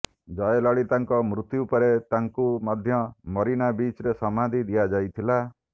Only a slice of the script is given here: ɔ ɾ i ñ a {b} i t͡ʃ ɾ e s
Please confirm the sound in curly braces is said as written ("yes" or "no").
yes